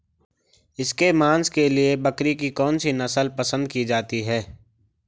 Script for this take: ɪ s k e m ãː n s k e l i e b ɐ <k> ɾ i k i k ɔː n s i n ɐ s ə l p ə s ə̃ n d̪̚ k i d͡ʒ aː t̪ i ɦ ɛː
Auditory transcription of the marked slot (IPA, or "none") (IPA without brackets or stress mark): k